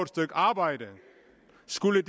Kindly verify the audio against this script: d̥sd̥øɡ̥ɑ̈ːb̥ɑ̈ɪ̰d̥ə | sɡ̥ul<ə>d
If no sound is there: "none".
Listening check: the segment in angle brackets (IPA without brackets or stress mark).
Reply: ə